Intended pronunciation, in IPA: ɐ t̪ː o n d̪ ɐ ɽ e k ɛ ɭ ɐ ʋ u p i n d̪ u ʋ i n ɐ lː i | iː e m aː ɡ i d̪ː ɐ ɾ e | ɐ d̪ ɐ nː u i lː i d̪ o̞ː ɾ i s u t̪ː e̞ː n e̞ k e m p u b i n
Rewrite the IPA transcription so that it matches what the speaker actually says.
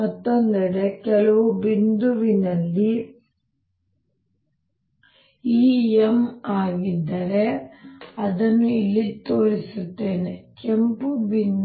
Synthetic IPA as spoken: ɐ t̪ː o n d̪ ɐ ɽ e k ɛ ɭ ɐ ʋ u b i n d̪ u ʋ i n ɐ lː i | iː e m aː ɡ i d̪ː ɐ ɾ e | ɐ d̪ ɐ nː u i lː i t̪ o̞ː ɾ i s u t̪ː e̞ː n e̞ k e m p u b i n